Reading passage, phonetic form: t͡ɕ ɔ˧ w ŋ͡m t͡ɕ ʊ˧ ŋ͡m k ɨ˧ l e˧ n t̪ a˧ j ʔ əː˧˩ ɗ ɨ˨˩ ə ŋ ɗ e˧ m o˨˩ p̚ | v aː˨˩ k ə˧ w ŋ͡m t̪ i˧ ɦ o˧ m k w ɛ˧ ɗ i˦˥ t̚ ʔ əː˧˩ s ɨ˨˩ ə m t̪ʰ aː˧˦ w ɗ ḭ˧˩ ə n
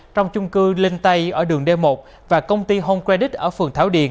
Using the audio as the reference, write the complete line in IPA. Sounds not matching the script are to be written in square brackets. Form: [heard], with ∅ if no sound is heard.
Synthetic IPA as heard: t͡ɕ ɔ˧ w ŋ͡m t͡ɕ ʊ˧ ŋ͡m k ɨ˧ l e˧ n t̪ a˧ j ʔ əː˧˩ ɗ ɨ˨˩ ə ŋ ɗ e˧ m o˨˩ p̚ | v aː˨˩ k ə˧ w ŋ͡m t̪ i˧ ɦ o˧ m k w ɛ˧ ɗ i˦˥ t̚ ʔ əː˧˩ [f] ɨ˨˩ ə [ŋ] t̪ʰ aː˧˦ w ɗ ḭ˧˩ ə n